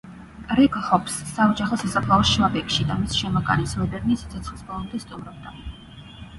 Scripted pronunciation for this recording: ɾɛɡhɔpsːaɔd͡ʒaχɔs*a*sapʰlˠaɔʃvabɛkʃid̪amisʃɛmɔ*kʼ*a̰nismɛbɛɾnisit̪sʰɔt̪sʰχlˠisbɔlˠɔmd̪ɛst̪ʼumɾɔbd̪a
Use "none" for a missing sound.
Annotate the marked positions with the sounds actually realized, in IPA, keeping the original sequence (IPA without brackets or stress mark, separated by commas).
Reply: a, kʼ